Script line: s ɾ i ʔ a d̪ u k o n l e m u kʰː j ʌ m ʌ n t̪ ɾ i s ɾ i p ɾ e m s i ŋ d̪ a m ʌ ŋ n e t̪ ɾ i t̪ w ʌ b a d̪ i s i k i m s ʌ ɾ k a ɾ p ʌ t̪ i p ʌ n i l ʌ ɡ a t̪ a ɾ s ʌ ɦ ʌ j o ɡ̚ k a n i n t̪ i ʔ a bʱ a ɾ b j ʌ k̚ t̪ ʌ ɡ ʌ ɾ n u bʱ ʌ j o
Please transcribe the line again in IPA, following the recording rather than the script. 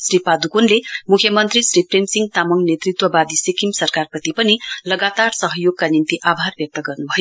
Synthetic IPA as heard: s ɾ i p a d̪ u k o n l e m u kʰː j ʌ m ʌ n t̪ ɾ i s ɾ i p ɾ e m s i ŋ t̪ a m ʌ ŋ n e t̪ ɾ i t̪ w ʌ b a d̪ i s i k i m s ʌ ɾ k a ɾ p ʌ t̪ i p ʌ n i l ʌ ɡ a t̪ a ɾ s ʌ ɦ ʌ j o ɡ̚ k a n i n t̪ i ʔ a bʱ a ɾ b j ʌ k̚ t̪ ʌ ɡ ʌ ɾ n u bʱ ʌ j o